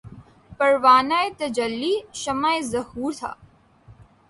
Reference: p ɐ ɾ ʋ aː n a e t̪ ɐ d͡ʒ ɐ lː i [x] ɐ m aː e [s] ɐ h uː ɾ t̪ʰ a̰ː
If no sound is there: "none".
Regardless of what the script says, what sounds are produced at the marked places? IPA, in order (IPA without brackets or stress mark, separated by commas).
ʃ, z